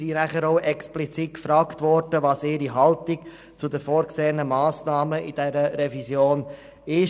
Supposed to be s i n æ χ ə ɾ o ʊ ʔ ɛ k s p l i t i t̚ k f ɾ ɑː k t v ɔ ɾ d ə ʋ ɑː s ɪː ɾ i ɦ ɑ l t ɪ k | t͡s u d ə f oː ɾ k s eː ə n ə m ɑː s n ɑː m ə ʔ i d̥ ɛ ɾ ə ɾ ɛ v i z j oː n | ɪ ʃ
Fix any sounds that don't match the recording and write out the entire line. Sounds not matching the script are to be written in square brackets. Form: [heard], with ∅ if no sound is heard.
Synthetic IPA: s i n æ χ ə ɾ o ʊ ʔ ɛ k s p l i [t͡s] i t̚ k f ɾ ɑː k t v ɔ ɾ d ə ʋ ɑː s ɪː ɾ i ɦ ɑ l t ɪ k | t͡s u d ə f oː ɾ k s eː ə n ə m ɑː s n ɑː m ə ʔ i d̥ ɛ ɾ ə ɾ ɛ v i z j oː n | ɪ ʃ